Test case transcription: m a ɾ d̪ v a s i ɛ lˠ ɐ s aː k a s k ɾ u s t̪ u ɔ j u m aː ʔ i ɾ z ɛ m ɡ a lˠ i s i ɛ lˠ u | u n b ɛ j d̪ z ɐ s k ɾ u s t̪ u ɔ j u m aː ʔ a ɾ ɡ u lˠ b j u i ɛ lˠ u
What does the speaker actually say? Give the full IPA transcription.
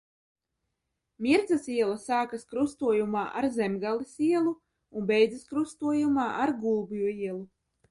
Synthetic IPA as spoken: m i ɾ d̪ z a s i ɛ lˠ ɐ s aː k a s k ɾ u s t̪ u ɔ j u m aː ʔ a ɾ z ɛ m ɡ a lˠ i s i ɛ lˠ u | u n b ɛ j d̪ z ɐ s k ɾ u s t̪ u ɔ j u m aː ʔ a ɾ ɡ u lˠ b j u i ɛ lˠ u